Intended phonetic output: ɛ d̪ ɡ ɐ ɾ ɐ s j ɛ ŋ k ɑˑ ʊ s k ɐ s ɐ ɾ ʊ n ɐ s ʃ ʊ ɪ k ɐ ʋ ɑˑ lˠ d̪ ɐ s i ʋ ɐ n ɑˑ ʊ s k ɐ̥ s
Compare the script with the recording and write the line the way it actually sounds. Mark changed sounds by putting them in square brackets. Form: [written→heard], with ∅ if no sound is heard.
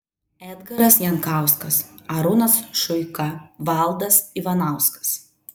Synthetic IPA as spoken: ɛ d̪ ɡ ɐ ɾ ɐ s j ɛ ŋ k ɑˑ ʊ s k ɐ s ɐ ɾ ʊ n ɐ s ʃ ʊ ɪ k ɐ ʋ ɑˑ lˠ d̪ ɐ s i ʋ ɐ n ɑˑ ʊ s k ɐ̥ s